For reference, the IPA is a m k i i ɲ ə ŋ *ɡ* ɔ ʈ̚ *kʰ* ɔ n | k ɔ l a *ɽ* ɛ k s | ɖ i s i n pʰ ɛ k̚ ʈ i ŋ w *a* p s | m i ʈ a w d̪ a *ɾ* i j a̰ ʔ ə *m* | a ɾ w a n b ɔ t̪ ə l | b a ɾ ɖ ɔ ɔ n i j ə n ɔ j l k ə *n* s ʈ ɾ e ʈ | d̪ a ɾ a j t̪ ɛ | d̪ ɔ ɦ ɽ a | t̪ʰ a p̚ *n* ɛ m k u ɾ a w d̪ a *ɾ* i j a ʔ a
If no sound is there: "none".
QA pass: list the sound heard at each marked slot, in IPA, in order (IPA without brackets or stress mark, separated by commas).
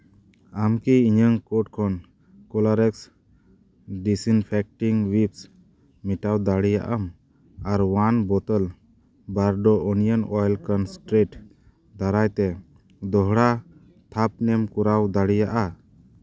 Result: k, kʰ, ɾ, i, ɽ, m, n, n, ɽ